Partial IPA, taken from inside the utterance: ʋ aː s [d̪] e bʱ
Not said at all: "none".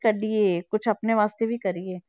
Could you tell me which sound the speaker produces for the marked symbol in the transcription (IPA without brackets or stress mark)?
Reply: t̪